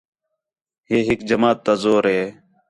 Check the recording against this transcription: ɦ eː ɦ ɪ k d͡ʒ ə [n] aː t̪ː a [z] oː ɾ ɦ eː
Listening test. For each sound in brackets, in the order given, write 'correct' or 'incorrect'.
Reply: incorrect: m, correct

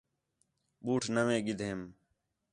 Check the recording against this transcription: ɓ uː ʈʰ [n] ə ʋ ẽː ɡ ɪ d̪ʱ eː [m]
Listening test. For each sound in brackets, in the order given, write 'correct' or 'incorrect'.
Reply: correct, correct

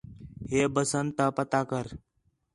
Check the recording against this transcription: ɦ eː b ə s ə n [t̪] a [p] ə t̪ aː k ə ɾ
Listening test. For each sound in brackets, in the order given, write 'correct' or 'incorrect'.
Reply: correct, correct

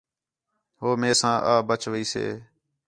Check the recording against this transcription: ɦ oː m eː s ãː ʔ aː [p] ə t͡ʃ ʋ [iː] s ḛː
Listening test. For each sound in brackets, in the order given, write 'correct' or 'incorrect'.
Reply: incorrect: b, correct

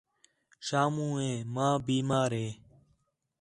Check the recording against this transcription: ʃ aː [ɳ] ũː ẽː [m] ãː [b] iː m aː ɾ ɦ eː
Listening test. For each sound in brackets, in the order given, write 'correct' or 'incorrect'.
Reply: incorrect: m, correct, correct

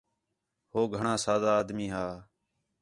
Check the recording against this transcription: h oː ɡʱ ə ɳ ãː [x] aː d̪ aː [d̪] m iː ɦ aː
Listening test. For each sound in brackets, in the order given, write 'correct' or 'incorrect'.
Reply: incorrect: s, correct

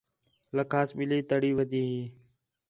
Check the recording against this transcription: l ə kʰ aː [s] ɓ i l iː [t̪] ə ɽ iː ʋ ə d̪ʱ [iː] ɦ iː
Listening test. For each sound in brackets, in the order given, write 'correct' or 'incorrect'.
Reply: correct, correct, correct

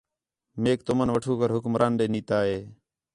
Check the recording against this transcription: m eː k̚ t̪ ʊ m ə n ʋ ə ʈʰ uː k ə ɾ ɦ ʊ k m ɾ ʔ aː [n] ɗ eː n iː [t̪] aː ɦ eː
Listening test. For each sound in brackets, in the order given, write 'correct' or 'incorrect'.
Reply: correct, correct

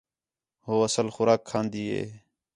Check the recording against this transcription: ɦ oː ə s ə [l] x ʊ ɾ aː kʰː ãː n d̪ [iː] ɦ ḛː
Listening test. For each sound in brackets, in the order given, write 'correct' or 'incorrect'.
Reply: correct, correct

